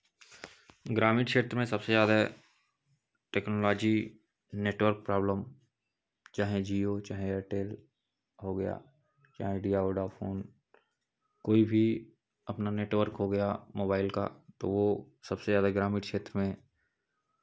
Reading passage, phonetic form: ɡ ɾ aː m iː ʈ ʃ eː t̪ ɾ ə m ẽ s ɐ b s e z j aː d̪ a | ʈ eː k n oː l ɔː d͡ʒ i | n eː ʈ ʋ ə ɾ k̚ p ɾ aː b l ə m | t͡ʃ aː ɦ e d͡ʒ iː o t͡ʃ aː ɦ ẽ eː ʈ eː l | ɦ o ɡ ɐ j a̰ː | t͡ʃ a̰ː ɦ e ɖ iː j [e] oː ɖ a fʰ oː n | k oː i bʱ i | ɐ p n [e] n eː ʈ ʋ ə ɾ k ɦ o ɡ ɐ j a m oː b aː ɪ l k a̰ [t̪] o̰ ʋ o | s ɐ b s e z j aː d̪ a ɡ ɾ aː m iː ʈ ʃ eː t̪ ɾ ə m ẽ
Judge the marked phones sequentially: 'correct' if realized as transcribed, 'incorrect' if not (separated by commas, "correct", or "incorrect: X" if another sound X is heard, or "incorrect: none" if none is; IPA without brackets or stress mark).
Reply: incorrect: a, incorrect: a, correct